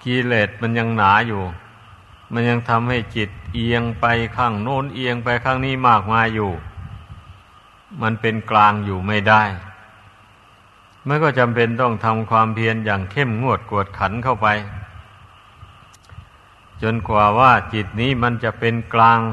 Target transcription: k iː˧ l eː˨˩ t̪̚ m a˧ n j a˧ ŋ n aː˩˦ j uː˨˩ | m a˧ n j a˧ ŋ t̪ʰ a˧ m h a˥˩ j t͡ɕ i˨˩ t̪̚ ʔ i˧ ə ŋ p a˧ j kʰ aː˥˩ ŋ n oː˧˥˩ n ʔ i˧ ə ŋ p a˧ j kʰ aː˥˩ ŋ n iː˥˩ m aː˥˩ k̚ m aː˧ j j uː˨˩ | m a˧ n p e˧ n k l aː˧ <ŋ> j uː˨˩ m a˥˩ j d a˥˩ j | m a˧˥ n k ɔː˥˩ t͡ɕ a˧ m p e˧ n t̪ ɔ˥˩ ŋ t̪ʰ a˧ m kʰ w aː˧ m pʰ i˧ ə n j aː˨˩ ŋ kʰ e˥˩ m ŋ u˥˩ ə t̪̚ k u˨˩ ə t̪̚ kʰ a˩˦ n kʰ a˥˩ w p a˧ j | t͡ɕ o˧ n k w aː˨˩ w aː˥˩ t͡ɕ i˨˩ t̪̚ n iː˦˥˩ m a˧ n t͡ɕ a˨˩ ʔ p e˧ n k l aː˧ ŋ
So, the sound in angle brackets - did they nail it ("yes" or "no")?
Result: yes